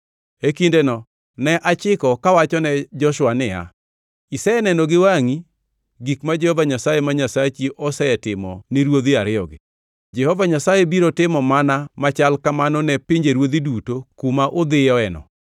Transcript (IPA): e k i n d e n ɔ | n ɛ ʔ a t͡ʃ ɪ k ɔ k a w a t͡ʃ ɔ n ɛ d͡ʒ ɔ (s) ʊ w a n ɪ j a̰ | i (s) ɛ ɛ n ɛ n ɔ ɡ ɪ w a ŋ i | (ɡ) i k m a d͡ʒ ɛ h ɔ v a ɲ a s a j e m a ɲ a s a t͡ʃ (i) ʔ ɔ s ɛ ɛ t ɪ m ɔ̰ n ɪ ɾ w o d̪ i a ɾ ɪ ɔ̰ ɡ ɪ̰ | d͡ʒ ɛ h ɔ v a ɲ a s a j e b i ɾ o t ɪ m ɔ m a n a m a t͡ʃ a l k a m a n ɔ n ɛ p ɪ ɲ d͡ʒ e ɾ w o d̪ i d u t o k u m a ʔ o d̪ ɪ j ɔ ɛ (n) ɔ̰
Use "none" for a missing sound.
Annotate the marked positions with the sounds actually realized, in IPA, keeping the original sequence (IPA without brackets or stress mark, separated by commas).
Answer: ʃ, s, ɡ, i, n